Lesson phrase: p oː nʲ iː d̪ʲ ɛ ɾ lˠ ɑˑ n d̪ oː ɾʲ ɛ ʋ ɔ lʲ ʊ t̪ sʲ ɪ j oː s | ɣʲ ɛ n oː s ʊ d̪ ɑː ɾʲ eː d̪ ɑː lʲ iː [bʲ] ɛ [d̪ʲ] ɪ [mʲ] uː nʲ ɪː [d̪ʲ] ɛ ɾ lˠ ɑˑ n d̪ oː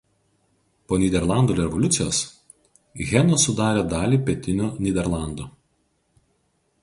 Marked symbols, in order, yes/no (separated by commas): no, no, no, yes